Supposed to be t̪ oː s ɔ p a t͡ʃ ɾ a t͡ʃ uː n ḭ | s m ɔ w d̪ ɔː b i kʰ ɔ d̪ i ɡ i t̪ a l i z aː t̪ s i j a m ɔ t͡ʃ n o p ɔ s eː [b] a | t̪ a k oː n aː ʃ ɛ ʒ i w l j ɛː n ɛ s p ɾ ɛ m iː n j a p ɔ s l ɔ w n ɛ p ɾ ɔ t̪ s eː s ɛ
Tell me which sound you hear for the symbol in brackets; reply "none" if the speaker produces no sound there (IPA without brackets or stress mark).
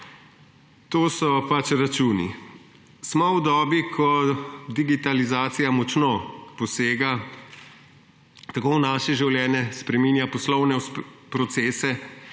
ɡ